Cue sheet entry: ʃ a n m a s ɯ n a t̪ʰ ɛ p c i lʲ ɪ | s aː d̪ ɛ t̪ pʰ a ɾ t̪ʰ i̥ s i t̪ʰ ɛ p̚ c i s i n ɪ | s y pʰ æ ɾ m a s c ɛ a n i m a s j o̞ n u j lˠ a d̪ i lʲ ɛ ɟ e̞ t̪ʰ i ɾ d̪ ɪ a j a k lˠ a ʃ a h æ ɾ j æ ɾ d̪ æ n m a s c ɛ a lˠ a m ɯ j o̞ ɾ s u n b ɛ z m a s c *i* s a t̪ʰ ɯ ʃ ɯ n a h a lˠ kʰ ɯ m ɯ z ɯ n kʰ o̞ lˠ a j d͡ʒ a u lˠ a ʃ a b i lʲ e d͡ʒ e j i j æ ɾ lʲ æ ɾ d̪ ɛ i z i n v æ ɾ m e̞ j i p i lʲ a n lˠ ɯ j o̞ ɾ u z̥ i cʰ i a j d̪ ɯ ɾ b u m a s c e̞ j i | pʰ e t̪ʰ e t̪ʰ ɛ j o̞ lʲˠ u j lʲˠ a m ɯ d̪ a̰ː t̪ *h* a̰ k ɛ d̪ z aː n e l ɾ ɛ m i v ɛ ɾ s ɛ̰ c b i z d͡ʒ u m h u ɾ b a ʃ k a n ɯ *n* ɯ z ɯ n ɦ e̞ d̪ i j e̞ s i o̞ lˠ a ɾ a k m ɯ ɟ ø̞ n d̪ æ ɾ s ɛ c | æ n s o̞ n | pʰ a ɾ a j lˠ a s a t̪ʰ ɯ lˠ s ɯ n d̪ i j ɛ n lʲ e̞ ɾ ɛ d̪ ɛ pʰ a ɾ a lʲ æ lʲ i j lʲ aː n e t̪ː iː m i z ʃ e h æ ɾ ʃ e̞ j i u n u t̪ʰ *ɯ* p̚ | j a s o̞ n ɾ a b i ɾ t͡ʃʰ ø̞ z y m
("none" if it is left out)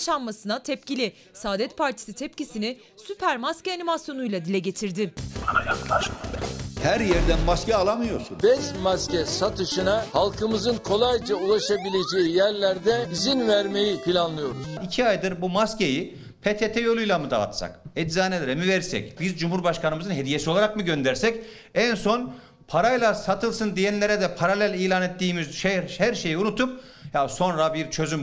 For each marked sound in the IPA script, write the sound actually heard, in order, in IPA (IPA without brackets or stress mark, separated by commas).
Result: ɛ, s, m, u